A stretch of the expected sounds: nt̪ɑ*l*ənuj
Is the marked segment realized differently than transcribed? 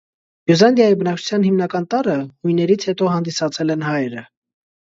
yes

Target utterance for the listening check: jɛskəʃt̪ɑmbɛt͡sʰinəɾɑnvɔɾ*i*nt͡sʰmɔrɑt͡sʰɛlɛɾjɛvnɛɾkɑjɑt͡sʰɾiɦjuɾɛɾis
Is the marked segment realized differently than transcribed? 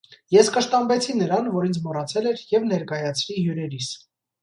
no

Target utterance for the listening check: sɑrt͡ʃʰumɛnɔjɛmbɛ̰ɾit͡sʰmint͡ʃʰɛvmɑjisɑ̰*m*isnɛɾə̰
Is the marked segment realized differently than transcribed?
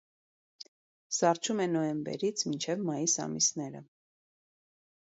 no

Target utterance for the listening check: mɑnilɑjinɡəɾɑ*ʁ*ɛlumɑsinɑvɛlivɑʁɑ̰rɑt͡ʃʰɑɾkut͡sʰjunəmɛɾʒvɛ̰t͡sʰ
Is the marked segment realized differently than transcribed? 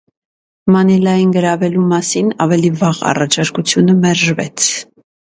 yes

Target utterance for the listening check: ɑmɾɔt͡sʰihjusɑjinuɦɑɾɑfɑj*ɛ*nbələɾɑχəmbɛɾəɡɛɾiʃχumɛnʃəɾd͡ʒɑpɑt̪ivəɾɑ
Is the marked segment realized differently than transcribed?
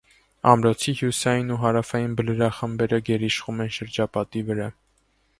yes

